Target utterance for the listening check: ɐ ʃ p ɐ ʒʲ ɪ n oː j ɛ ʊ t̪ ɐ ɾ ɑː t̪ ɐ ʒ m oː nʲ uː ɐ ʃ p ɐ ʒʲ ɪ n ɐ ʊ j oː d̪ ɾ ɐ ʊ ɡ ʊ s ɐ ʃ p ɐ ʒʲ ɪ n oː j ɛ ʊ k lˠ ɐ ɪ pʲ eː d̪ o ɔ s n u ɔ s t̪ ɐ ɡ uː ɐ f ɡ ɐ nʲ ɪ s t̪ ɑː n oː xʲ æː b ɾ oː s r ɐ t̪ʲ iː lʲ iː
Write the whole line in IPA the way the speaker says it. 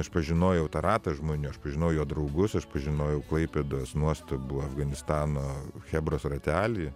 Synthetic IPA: ɐ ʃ p ɐ ʒʲ ɪ n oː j ɛ ʊ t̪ ɐ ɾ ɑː t̪ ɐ ʒ m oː nʲ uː ɐ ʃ p ɐ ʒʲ ɪ n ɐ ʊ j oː d̪ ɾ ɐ ʊ ɡ ʊ s ɐ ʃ p ɐ ʒʲ ɪ n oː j ɛ ʊ k lˠ ɐ ɪ pʲ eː d̪ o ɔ s n u ɔ s t̪ ɐ b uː ɐ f ɡ ɐ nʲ ɪ s t̪ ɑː n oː xʲ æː b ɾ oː s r ɐ t̪ʲ æː lʲ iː